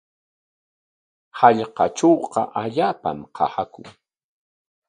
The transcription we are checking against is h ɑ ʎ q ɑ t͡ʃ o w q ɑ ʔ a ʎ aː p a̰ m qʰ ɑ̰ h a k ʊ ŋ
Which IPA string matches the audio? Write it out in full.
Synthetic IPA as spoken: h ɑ ʎ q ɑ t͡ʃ o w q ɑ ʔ a ʎ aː p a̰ m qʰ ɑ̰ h a k ʊ ŋ